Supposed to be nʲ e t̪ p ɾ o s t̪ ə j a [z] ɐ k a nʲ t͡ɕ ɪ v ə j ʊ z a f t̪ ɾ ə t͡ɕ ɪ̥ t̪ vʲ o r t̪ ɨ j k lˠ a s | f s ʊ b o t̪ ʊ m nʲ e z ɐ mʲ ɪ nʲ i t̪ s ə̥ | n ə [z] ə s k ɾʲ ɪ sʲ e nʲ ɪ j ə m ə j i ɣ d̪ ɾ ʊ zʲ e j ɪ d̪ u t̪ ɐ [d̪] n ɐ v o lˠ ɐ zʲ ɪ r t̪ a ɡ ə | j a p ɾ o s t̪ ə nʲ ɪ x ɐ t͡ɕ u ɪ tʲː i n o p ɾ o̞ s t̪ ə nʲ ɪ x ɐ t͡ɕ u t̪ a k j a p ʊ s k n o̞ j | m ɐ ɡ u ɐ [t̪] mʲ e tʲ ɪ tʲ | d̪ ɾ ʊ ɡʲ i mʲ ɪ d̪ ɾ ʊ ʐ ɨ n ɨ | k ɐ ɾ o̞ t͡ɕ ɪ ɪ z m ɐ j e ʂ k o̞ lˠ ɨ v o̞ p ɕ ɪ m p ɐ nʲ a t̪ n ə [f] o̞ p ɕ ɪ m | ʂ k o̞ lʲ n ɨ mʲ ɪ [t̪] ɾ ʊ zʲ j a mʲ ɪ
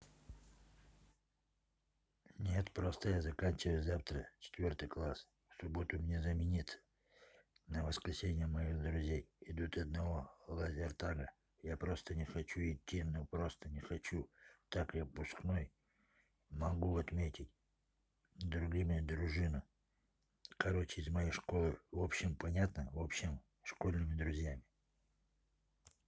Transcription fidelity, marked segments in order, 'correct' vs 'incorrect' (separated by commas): correct, incorrect, correct, correct, incorrect, incorrect